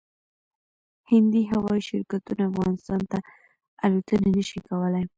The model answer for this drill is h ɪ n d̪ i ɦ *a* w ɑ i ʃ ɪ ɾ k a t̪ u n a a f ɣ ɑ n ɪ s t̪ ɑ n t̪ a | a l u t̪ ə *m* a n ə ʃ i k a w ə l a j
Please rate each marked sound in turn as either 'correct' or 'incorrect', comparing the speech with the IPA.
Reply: correct, incorrect

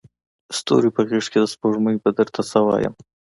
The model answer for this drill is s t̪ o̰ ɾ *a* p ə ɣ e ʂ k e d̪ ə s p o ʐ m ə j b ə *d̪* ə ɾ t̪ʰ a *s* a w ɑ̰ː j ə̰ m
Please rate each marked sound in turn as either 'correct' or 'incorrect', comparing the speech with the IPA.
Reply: incorrect, correct, correct

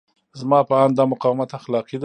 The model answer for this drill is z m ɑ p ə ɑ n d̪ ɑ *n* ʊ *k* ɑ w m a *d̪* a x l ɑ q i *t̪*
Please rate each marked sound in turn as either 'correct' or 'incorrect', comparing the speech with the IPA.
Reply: incorrect, incorrect, incorrect, incorrect

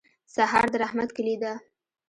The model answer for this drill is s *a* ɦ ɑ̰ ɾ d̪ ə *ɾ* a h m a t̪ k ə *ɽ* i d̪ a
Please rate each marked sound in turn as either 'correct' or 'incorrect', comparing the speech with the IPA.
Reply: correct, correct, incorrect

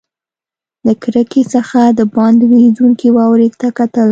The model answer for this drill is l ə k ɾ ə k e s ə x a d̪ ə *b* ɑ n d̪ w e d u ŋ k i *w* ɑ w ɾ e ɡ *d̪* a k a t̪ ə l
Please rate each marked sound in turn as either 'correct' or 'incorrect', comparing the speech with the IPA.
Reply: correct, correct, incorrect

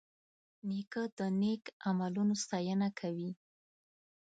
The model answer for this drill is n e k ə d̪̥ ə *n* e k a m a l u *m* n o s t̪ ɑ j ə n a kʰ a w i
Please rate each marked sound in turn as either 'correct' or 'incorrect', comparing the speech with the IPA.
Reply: correct, incorrect

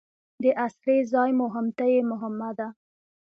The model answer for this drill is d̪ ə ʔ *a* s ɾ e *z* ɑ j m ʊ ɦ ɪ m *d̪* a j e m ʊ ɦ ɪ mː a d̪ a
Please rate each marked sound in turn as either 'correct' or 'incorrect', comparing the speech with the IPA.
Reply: correct, correct, incorrect

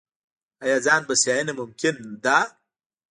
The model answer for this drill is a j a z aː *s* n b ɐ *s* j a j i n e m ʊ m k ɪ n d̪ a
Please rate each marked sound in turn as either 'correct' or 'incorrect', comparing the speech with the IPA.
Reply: incorrect, correct

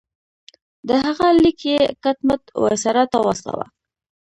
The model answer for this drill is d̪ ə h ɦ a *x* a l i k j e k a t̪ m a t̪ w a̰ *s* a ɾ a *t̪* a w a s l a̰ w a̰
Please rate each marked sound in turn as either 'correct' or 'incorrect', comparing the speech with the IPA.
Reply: incorrect, correct, correct

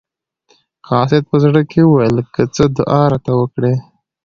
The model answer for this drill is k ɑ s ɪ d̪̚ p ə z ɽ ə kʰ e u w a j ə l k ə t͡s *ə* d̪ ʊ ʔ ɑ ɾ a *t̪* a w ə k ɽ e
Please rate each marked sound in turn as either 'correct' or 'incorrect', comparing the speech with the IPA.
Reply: correct, correct

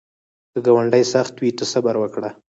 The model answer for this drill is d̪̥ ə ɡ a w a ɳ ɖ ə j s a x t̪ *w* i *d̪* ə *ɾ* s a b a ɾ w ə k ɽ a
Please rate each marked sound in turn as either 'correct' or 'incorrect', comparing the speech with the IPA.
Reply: correct, incorrect, incorrect

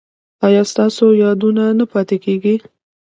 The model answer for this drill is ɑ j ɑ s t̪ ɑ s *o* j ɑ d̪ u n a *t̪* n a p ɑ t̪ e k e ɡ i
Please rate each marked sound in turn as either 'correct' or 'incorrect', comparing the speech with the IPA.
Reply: correct, incorrect

